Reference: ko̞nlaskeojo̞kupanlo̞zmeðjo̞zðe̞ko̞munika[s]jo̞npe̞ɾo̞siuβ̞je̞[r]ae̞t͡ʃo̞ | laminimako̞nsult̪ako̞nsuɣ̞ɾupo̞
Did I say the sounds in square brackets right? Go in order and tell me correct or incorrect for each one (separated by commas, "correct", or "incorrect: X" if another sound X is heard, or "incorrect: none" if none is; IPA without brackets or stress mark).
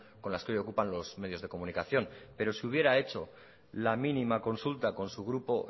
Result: incorrect: θ, incorrect: ɾ